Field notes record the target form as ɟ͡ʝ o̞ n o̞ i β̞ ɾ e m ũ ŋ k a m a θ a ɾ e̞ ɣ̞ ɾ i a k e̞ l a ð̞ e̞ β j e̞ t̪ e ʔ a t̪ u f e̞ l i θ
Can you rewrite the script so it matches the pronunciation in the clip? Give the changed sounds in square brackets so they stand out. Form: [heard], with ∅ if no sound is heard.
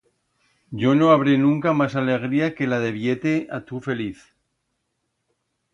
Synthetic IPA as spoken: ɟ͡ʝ o̞ n o̞ [a] β̞ ɾ e [n] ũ ŋ k a m a [s] a [l] e̞ ɣ̞ ɾ i a k e̞ l a ð̞ e̞ β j e̞ t̪ e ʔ a t̪ u f e̞ l i θ